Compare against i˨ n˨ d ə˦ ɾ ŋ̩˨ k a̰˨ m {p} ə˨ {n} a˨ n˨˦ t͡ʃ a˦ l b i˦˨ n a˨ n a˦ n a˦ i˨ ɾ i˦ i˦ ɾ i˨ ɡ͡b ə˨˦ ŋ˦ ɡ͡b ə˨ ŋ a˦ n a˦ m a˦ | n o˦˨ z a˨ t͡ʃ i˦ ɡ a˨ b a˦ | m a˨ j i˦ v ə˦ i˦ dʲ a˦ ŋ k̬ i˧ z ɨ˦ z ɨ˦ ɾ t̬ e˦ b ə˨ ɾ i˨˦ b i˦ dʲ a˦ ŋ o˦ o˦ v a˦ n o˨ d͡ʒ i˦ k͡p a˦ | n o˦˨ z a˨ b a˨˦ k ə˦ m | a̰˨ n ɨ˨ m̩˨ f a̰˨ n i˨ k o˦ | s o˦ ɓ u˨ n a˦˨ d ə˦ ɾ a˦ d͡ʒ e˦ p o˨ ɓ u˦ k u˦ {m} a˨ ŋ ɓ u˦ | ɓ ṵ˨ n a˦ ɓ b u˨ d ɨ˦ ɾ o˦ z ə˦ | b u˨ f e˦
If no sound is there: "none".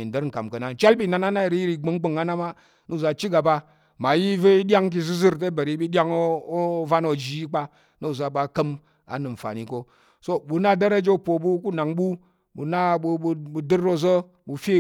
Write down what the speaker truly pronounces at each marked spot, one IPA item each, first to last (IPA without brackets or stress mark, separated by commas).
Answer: k, n, n